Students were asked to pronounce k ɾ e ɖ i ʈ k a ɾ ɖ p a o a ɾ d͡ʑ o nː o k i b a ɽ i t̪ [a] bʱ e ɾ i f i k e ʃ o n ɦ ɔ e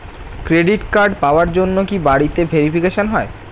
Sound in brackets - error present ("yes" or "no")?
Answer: yes